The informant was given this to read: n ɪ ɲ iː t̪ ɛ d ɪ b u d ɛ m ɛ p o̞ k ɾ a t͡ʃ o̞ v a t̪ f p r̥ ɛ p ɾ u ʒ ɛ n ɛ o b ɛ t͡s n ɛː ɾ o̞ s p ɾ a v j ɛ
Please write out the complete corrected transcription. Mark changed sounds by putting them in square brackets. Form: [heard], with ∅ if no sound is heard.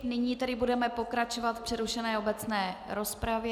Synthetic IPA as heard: n ɪ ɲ iː t̪ ɛ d ɪ b u d ɛ m ɛ p o̞ k ɾ a t͡ʃ o̞ v a t̪ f p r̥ ɛ [∅] ɾ u [ʃ] ɛ n [ɛː] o b ɛ t͡s n ɛː ɾ o̞ s p ɾ a v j ɛ